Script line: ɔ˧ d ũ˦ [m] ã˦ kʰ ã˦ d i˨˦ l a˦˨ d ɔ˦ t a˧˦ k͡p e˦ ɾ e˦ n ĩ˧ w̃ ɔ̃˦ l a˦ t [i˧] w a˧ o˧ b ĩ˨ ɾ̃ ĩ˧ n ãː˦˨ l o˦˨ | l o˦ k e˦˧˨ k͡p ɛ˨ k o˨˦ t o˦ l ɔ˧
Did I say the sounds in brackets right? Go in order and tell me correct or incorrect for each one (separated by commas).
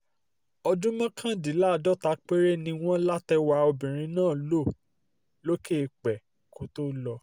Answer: correct, incorrect